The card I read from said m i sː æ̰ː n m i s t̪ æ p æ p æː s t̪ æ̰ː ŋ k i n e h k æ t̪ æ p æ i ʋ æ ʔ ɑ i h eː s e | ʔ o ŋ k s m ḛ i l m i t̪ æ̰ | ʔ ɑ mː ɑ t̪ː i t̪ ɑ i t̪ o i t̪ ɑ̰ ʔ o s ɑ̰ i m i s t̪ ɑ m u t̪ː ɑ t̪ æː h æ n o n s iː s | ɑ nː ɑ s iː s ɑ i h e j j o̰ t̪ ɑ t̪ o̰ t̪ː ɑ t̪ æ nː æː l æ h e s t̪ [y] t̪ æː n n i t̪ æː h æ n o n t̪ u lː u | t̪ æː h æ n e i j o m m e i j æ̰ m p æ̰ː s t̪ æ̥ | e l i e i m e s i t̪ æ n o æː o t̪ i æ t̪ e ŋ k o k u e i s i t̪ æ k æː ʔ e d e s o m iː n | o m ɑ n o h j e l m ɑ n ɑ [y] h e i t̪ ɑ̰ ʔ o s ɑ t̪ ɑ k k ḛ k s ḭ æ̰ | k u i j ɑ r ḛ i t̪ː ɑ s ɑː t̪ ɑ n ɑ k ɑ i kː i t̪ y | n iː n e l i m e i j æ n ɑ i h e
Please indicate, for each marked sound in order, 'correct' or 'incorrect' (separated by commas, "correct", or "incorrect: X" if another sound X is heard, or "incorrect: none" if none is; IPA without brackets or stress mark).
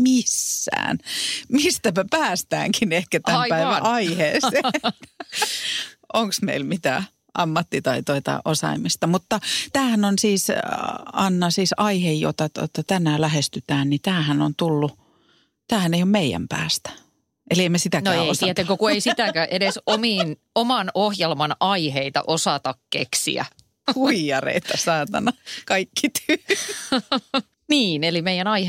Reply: correct, incorrect: i